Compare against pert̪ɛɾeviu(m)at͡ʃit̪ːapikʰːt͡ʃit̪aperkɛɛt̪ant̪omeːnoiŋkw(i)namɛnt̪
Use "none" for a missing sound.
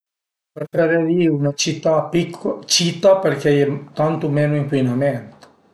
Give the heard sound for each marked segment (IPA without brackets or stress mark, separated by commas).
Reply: n, i